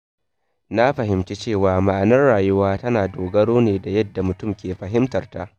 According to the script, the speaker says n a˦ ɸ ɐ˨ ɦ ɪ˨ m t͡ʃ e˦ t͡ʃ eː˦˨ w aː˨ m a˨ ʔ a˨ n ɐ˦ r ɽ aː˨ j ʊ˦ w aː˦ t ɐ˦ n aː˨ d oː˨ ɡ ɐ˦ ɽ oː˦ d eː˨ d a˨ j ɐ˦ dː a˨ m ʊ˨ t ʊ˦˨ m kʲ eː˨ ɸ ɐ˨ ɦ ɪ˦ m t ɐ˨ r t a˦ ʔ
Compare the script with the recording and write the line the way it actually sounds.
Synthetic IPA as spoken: n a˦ ɸ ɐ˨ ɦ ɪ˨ m t͡ʃ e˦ t͡ʃ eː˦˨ w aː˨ m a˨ ʔ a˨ n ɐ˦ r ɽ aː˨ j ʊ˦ w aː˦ t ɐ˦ n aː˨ d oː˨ ɡ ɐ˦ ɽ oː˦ n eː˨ d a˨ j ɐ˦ dː a˨ m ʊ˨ t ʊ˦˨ m kʲ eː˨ ɸ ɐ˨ ɦ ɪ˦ m t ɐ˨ r t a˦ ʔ